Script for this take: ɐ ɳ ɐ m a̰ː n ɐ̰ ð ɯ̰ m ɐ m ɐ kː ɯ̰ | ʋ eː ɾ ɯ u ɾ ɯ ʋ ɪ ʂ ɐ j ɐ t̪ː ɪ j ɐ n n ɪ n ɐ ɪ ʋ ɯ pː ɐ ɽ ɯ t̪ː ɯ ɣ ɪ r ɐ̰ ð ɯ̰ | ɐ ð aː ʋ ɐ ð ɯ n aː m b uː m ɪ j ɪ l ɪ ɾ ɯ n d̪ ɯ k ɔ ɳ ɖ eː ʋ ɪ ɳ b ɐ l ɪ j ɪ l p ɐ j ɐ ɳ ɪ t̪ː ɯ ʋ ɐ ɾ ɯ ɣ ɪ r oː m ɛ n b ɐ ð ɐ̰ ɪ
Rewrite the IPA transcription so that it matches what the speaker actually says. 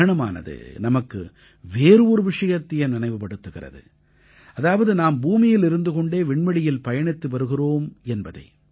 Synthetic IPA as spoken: ɐ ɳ ɐ m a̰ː n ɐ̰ ð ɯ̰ n ɐ m ɐ kː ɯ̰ | ʋ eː ɾ ɯ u ɾ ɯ ʋ ɪ ʂ ɐ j ɐ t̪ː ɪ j ɐ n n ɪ n ɐ ɪ ʋ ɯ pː ɐ ɽ ɯ t̪ː ɯ ɣ ɪ r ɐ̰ ð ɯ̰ | ɐ ð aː ʋ ɐ ð ɯ n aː m b uː m ɪ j ɪ l ɪ ɾ ɯ n d̪ ɯ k ɔ ɳ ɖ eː ʋ ɪ ɳ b ɐ ɽ ɪ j ɪ l p ɐ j ɐ ɳ ɪ t̪ː ɯ ʋ ɐ ɾ ɯ ɣ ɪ r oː m ɛ n b ɐ ð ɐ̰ ɪ